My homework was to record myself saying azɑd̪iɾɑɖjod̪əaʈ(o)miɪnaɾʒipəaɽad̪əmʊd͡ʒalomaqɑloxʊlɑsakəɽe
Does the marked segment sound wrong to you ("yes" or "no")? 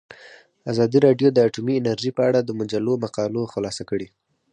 yes